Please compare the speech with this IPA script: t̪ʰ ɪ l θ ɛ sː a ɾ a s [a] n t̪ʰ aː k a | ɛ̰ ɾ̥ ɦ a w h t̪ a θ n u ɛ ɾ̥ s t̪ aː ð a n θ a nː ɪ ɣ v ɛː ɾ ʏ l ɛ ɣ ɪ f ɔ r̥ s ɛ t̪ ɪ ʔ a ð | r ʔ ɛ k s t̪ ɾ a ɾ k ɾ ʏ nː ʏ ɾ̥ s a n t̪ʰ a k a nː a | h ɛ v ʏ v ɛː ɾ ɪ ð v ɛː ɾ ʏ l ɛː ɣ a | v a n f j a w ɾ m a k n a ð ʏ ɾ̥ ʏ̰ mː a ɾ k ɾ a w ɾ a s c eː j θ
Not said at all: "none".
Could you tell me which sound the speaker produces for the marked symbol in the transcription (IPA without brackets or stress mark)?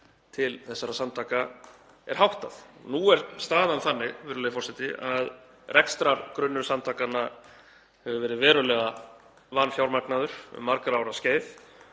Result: a